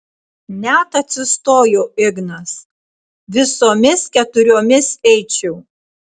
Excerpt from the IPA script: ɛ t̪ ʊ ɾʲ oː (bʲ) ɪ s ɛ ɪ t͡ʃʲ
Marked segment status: incorrect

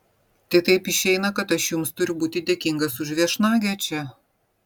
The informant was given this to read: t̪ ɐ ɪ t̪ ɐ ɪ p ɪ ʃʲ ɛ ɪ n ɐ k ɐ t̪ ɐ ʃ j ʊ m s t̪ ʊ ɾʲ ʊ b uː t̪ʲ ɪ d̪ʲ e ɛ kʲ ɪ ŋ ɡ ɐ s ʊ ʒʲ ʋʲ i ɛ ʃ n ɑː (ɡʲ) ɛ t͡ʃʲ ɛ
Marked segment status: correct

